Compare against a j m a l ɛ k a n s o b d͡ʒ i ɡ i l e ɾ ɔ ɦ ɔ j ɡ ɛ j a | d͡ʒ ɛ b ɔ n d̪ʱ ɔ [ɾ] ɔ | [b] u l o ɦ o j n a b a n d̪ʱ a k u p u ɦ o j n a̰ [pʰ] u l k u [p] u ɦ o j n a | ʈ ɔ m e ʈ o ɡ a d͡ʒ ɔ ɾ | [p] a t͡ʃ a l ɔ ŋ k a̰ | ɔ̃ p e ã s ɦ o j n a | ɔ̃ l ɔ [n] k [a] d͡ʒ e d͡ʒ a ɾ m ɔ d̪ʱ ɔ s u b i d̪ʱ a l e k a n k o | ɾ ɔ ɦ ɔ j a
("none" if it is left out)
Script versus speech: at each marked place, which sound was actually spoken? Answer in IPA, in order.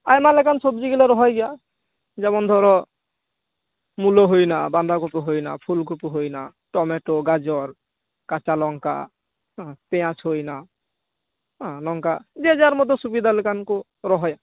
ɾ, m, pʰ, p, k, ŋ, a

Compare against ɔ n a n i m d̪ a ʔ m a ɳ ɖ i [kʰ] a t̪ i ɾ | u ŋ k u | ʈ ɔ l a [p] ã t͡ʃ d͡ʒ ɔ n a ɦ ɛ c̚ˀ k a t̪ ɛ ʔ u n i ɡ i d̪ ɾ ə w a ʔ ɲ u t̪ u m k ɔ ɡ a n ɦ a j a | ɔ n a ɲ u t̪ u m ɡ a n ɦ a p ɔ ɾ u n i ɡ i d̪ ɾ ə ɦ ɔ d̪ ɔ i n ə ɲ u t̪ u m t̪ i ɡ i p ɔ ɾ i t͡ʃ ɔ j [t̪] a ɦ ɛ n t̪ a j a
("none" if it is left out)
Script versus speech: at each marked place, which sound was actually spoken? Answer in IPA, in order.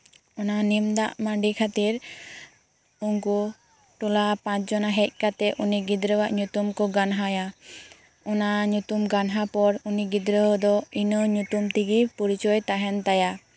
kʰ, p, t̪

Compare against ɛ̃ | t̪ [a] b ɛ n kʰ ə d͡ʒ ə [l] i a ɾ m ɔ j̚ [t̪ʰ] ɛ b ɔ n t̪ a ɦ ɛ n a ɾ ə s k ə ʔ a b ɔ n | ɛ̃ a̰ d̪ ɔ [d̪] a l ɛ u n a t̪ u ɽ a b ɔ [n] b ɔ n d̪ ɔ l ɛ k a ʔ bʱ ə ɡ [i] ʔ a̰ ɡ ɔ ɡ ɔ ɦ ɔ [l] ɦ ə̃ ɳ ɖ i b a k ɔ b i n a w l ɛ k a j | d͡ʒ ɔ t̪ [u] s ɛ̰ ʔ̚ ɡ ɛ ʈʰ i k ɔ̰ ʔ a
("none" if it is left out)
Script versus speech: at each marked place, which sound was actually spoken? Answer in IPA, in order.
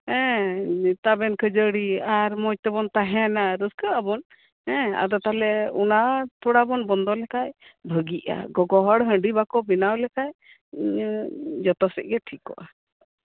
a, ɽ, t̪, t̪, n, i, ɽ, ɔ

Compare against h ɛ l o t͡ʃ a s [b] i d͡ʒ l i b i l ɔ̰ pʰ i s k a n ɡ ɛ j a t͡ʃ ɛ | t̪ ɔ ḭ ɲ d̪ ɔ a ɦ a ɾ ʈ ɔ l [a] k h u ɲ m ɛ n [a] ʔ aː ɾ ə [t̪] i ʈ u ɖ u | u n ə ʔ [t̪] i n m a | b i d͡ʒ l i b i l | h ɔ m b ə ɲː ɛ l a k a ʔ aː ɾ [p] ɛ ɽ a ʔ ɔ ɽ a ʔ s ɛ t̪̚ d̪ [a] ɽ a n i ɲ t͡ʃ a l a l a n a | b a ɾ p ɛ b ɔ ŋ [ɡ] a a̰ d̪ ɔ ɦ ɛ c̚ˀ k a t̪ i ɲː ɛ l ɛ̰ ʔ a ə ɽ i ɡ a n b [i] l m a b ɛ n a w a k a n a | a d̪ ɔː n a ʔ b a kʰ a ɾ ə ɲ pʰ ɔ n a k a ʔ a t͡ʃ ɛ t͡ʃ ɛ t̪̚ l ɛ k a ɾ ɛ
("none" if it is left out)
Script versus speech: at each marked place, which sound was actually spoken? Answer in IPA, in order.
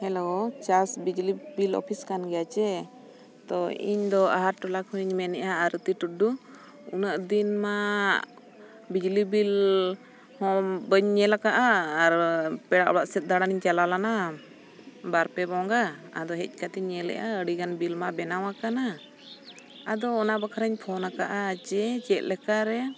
b, a, ɛ, t̪, d̪, p, a, ɡ, i

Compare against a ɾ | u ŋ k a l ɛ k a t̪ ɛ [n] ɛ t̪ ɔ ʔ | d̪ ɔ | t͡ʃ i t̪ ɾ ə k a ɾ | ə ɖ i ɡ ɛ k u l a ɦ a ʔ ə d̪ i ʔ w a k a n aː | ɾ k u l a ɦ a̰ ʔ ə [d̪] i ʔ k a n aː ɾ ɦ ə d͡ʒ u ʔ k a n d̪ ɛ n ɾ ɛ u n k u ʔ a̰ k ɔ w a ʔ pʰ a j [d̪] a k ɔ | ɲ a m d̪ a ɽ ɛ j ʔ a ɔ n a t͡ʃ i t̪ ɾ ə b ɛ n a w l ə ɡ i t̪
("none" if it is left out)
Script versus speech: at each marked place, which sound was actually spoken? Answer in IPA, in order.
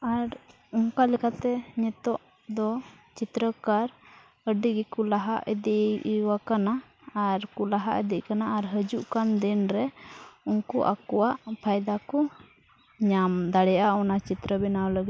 ɲ, d̪, d̪

